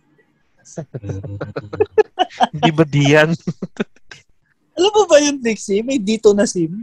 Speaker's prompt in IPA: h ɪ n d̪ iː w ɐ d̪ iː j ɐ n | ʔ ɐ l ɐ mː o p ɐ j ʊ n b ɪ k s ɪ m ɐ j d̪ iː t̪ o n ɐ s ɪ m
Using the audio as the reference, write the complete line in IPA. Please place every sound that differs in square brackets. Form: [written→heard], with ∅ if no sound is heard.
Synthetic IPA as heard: h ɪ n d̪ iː [w→b] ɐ d̪ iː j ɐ n | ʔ ɐ l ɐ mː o [p→b] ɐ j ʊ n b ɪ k s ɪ m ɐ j d̪ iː t̪ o n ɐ s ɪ m